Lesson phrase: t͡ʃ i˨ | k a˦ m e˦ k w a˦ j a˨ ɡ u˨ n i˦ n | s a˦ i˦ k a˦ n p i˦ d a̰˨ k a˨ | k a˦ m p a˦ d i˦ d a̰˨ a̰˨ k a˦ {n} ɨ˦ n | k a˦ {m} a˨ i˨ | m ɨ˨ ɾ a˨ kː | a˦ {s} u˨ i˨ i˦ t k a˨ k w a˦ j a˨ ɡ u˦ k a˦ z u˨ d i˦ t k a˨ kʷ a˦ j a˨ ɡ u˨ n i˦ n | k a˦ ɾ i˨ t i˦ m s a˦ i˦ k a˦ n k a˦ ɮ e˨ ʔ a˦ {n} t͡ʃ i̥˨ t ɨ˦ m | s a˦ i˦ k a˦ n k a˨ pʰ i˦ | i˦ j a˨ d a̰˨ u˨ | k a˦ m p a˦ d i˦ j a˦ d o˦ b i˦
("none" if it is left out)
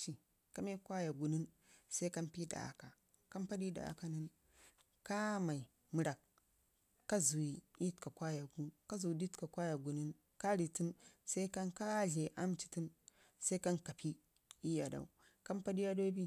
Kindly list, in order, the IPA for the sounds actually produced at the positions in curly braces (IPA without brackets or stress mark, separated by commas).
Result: n, m, z, m